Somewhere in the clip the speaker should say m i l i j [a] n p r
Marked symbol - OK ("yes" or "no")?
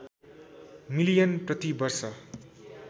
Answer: no